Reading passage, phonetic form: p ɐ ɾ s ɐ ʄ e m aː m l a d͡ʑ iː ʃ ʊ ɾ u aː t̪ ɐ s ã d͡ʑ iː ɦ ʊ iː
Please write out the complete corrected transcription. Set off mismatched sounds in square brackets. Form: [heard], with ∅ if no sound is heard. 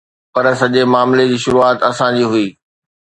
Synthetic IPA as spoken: p ɐ ɾ s ɐ ʄ e m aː m l [e] d͡ʑ iː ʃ ʊ ɾ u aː t̪ ɐ s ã d͡ʑ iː ɦ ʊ iː